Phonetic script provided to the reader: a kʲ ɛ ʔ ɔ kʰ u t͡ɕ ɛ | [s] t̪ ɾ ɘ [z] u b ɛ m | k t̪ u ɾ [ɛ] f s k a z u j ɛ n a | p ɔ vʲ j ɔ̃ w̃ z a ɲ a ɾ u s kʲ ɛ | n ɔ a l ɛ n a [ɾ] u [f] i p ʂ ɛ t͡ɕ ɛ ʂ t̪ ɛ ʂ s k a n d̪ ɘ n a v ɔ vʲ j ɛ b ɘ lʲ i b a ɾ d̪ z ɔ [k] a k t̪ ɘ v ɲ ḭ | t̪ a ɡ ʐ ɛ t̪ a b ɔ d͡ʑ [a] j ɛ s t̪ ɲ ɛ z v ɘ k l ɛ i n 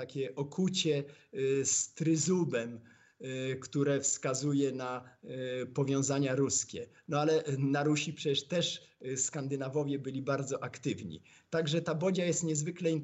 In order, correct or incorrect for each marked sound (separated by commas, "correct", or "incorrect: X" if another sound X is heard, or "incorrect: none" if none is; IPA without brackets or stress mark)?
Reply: correct, correct, correct, correct, incorrect: ɕ, incorrect: ʔ, correct